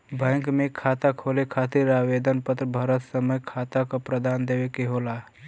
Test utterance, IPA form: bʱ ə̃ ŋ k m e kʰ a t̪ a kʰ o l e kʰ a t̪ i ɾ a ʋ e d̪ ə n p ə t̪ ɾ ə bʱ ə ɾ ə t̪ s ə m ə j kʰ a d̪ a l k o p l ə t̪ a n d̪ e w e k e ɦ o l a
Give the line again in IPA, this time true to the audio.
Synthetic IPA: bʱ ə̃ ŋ k m e kʰ a t̪ a kʰ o l e kʰ a t̪ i ɾ a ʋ e d̪ ə n p ə t̪ ɾ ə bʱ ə ɾ ə t̪ s ə m ə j kʰ a t̪ a k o p ɾ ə d̪ a n d̪ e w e k e ɦ o l a